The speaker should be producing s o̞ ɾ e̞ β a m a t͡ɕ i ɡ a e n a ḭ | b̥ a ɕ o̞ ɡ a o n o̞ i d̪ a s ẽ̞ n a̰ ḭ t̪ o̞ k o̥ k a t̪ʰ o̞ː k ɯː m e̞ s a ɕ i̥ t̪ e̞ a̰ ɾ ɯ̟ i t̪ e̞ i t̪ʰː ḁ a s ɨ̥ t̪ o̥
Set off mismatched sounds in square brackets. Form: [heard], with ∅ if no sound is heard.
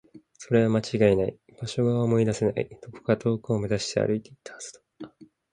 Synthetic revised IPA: s o̞ ɾ e̞ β a m a t͡ɕ i ɡ a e n a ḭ | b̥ a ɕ o̞ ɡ a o [m] o̞ i d̪ a s [e̞] n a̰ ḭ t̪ o̞ k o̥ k a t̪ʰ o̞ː k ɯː m e̞ [z] a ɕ i̥ t̪ e̞ a̰ ɾ ɯ̟ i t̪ e̞ i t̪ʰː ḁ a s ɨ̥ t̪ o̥